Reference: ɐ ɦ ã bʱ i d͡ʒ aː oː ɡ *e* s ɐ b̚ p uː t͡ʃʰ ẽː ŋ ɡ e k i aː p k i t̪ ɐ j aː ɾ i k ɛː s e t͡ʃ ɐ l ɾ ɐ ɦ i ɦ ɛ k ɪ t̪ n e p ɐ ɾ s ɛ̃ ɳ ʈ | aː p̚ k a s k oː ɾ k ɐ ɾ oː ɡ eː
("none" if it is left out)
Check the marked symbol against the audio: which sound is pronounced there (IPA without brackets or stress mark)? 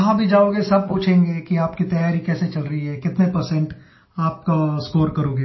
e